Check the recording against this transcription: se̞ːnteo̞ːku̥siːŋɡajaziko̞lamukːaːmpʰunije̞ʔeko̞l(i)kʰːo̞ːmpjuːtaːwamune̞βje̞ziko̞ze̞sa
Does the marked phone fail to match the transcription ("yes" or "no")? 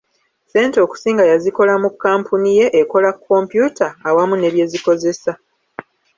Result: yes